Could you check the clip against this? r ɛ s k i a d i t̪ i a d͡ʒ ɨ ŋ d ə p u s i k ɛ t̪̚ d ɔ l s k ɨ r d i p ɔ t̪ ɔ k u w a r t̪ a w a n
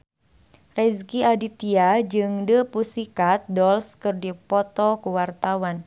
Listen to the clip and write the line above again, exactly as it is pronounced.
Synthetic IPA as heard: r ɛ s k i a d i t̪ i a d͡ʒ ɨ ŋ d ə p u s i k a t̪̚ d ɔ l s k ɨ r d i p ɔ t̪ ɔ k u w a r t̪ a w a n